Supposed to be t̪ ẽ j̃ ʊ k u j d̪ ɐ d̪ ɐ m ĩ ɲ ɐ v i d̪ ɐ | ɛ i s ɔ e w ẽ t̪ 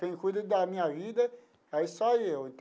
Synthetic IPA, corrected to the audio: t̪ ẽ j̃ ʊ k u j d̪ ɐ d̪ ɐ m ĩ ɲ ɐ v i d̪ ɐ | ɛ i s ɔ e w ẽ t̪